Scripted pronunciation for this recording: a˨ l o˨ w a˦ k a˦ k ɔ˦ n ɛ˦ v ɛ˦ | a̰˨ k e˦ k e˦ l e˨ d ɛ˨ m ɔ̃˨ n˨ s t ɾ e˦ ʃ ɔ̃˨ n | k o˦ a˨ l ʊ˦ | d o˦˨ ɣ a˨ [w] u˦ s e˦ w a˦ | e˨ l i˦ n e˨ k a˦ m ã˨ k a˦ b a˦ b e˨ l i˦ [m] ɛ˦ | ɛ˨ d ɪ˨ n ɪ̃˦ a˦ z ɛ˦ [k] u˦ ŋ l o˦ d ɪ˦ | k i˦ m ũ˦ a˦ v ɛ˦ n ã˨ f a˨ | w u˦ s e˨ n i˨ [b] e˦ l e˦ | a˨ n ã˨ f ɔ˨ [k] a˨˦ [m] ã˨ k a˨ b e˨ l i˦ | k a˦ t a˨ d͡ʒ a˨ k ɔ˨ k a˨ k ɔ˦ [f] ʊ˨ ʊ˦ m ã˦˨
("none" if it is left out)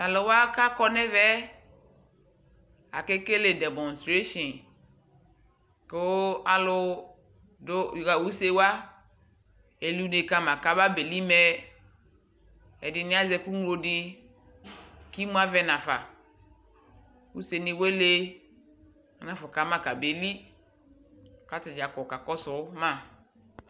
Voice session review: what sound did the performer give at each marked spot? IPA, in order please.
w, m, k, w, k, m, s

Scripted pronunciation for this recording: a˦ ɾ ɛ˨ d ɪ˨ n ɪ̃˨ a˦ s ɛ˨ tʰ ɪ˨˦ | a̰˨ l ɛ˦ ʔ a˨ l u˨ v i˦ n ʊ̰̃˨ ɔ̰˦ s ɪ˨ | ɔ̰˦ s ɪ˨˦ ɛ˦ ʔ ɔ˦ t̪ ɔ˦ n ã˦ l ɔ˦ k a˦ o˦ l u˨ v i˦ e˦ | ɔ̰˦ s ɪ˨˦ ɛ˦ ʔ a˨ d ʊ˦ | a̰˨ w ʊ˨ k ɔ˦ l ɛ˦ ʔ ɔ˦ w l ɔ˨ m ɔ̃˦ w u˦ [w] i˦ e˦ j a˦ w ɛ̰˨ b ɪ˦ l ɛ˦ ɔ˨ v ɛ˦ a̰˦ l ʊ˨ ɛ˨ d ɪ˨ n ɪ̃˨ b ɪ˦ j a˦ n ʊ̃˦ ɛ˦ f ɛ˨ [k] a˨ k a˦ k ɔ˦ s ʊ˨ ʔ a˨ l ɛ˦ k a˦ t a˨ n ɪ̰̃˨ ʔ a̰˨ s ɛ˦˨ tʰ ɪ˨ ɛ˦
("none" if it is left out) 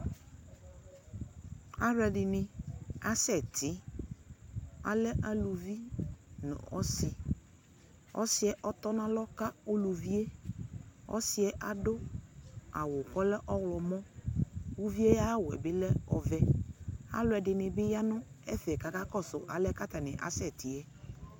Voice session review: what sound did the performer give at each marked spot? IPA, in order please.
v, k

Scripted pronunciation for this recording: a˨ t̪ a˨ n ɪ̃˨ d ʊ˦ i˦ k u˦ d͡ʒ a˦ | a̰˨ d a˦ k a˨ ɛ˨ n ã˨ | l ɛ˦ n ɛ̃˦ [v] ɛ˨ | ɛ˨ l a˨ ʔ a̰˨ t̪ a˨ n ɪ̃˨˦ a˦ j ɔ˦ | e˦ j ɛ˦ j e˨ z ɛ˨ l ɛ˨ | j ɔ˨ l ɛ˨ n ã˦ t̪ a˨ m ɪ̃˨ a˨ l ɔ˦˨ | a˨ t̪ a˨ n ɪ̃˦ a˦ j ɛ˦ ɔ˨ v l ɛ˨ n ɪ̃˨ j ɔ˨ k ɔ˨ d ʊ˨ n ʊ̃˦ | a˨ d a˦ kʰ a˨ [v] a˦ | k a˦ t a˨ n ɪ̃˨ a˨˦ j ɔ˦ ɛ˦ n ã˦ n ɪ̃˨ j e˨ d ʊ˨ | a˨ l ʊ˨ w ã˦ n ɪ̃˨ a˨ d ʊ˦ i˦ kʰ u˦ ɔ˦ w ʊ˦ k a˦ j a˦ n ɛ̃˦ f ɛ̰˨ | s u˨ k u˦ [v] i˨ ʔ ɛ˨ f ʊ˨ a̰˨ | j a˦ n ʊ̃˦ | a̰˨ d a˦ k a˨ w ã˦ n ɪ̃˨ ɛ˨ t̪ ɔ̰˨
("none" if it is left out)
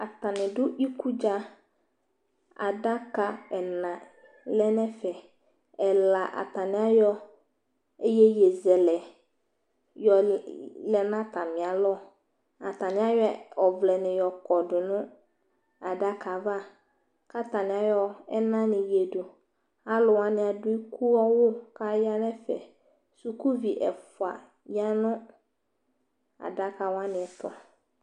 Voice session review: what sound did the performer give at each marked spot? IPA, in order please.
f, v, v

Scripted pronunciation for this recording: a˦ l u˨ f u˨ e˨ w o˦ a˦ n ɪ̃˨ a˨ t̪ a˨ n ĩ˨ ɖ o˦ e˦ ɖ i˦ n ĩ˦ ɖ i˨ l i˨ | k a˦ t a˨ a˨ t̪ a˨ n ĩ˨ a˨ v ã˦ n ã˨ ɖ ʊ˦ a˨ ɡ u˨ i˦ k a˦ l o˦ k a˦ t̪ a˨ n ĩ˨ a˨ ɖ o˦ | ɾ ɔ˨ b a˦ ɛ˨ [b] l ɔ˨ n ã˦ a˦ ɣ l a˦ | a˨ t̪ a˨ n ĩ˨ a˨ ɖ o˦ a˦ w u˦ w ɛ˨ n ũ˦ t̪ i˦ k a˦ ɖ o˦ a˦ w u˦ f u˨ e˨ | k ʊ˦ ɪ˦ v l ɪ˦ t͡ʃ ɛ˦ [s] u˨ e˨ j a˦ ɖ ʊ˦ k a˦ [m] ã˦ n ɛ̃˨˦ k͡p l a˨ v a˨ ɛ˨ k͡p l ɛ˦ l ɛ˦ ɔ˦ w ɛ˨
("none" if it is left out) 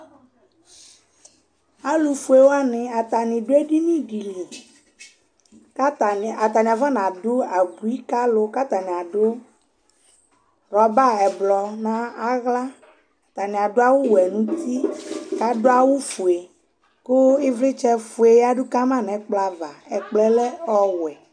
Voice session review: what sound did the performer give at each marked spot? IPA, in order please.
b, f, m

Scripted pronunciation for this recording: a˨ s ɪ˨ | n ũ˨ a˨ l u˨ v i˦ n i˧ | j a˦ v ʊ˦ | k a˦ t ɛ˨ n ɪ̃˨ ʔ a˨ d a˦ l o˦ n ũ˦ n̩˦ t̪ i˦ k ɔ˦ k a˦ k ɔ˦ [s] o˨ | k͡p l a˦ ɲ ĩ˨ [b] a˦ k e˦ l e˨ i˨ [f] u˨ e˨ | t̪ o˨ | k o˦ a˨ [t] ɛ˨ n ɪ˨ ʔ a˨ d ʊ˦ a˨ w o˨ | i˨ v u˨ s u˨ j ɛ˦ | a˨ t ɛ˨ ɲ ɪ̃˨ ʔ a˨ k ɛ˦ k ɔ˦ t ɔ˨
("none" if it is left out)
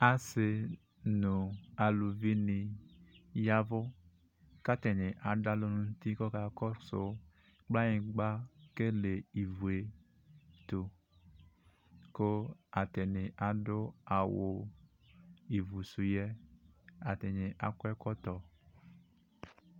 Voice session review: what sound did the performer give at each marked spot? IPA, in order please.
s, ɡ͡b, v, t

